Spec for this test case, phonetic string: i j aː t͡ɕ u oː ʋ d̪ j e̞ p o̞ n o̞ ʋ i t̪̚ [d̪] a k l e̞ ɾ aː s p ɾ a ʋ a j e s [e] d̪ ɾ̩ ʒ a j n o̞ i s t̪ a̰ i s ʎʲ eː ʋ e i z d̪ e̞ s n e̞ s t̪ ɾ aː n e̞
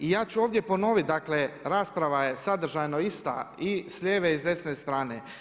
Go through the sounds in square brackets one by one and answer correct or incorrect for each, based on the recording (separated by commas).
correct, incorrect